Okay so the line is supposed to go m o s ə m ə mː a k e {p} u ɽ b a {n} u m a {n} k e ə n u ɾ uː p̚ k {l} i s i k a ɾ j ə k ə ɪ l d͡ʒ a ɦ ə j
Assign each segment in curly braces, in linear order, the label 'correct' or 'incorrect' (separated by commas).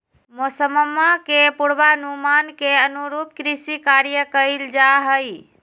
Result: correct, correct, correct, incorrect